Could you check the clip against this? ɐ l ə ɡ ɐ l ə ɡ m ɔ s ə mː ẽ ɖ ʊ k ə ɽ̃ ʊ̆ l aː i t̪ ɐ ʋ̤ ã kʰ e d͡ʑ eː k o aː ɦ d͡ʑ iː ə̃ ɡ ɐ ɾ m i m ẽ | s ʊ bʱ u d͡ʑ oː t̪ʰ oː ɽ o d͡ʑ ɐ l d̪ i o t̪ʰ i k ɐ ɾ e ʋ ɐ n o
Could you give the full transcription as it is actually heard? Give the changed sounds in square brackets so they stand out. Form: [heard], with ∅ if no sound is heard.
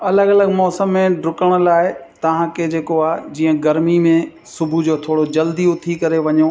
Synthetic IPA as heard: ɐ l ə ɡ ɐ l ə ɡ m [ɔː] s ə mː ẽ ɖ ʊ k ə ɽ̃ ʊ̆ l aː [ɪ] t̪ ɐ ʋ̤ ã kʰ e d͡ʑ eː k o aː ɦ d͡ʑ iː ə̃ ɡ ɐ ɾ m i m ẽ | s ʊ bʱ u d͡ʑ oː t̪ʰ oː ɽ o d͡ʑ ɐ l d̪ i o t̪ʰ i k ɐ ɾ e ʋ ɐ [ɲ] o